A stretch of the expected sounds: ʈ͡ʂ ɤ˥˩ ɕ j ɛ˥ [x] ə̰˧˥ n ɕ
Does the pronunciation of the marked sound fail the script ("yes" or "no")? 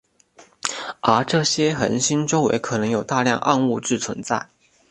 no